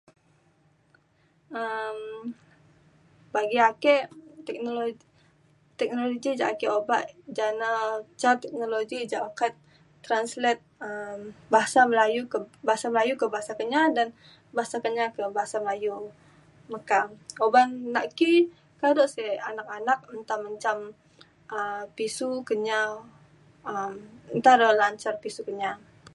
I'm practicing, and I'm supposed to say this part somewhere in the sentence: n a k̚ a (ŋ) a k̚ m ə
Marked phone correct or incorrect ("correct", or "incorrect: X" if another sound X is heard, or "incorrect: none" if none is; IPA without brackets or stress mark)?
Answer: incorrect: n